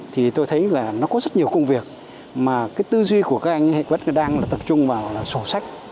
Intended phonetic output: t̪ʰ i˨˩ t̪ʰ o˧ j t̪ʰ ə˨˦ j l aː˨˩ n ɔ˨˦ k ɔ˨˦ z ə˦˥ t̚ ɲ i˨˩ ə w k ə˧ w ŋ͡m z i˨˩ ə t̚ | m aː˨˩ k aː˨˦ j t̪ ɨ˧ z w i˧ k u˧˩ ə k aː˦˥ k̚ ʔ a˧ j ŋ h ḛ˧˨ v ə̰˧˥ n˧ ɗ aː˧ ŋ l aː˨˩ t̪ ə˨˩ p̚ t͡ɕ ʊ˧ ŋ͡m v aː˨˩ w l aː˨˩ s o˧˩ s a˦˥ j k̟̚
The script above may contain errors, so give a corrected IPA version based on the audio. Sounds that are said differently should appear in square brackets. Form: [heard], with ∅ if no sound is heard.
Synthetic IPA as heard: t̪ʰ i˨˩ [t̪] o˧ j t̪ʰ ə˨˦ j l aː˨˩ n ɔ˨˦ k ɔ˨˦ z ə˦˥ t̚ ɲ i˨˩ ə w k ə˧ w ŋ͡m [v] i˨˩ ə [k̚] | m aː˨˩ k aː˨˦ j t̪ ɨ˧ z w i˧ k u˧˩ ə k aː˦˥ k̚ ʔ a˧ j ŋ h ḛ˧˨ v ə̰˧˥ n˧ ɗ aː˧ ŋ l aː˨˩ t̪ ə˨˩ p̚ t͡ɕ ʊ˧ ŋ͡m v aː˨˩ w l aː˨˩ s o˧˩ s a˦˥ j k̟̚

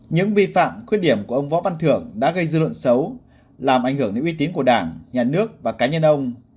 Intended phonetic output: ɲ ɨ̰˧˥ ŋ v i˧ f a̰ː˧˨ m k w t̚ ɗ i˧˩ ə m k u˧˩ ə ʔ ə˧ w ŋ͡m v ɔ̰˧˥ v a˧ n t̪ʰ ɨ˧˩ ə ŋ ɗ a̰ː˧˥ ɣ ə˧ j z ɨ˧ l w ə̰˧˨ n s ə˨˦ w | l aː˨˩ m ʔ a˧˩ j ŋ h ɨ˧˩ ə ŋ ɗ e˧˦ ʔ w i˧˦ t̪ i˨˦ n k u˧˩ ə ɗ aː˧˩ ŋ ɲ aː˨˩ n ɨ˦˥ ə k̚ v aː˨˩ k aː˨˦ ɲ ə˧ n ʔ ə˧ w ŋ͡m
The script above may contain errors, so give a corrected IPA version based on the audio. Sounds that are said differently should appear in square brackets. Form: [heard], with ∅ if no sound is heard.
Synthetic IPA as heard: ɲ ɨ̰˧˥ ŋ v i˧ f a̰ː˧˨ m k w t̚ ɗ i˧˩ ə m k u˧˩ ə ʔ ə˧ w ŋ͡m v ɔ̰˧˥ v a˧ n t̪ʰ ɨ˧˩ ə ŋ ɗ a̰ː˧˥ ɣ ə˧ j z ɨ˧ l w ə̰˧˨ n s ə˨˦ w | l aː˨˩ m ʔ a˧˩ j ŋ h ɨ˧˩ ə ŋ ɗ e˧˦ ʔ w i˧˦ t̪ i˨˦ n k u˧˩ ə ɗ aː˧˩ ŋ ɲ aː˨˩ n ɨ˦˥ ə k̚ v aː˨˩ k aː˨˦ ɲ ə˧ n ʔ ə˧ w ŋ͡m

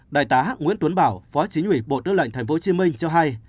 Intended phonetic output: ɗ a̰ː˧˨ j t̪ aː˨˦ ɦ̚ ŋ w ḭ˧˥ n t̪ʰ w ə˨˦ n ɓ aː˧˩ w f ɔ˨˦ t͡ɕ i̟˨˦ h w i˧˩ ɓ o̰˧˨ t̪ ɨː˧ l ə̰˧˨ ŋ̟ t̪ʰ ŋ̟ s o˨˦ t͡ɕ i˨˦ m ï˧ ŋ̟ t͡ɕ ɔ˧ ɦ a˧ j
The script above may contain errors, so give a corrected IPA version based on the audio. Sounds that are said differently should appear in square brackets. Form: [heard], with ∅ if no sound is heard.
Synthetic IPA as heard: ɗ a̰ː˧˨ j t̪ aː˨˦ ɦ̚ ŋ w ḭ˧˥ n [t̪] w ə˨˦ n ɓ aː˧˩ w f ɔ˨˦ t͡ɕ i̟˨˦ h w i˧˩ ɓ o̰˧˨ t̪ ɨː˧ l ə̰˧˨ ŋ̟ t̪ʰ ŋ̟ [f] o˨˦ t͡ɕ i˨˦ m ï˧ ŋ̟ t͡ɕ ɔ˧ ɦ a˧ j

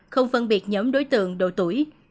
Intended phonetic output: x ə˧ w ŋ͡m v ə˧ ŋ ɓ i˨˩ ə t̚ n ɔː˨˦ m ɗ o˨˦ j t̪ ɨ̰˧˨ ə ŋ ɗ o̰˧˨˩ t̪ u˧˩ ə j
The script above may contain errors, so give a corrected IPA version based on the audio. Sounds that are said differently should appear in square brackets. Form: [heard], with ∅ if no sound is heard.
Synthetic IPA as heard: x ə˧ w ŋ͡m [f] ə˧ [n] ɓ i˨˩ ə t̚ [ɲ] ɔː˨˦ m ɗ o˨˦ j t̪ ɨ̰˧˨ ə ŋ ɗ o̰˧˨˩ t̪ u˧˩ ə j

